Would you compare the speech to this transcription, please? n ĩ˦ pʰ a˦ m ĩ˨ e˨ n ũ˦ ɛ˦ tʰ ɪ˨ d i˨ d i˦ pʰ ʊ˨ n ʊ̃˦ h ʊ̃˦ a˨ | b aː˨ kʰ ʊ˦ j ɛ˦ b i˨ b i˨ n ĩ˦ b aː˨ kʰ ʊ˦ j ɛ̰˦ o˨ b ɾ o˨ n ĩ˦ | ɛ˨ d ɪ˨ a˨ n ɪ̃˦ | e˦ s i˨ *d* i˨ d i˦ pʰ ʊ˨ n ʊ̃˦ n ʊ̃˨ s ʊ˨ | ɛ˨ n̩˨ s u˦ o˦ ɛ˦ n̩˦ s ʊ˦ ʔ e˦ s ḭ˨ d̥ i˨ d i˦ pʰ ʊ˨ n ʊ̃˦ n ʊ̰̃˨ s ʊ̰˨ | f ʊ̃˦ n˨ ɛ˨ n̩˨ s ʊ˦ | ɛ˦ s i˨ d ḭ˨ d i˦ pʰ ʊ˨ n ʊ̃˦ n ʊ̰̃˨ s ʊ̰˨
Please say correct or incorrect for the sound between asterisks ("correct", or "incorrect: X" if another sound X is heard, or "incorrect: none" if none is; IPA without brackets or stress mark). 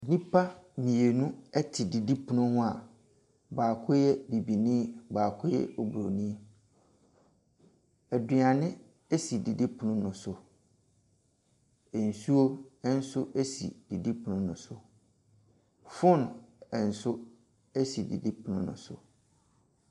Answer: correct